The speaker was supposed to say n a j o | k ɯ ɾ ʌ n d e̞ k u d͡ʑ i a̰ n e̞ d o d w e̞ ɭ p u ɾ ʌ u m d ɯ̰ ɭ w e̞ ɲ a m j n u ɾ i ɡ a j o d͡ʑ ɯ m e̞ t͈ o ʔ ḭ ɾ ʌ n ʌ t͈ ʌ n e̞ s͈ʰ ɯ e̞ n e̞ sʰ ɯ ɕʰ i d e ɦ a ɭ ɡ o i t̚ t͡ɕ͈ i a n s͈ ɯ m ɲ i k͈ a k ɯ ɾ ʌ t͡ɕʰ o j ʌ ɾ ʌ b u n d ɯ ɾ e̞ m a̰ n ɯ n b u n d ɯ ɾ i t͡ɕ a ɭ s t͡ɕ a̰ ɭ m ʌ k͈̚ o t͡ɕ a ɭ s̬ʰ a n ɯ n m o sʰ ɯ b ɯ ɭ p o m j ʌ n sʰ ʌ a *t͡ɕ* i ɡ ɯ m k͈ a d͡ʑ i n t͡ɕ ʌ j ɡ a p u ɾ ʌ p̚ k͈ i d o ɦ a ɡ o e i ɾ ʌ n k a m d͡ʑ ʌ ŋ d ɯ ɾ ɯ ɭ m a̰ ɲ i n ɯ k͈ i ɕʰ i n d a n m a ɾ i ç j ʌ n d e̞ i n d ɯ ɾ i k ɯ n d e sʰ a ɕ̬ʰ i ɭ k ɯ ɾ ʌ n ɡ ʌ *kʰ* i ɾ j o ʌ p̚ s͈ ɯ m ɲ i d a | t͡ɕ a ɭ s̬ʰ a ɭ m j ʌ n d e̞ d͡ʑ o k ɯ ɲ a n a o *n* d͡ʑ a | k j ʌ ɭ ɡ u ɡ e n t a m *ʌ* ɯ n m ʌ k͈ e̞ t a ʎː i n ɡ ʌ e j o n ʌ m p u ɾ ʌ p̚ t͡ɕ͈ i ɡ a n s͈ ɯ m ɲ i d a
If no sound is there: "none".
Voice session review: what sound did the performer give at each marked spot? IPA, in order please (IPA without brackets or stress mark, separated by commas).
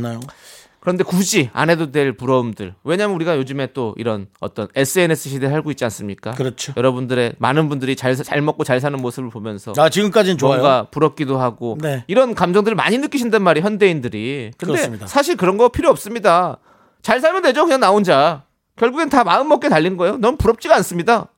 t͡ɕ, pʰ, n, a